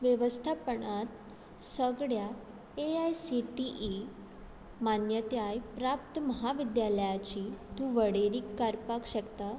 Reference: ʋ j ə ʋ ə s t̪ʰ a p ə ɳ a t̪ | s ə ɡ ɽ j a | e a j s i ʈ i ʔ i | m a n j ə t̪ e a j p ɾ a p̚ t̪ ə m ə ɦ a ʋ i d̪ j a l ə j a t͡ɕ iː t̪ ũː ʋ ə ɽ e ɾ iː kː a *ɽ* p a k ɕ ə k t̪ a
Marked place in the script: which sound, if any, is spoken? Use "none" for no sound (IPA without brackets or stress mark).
ɾ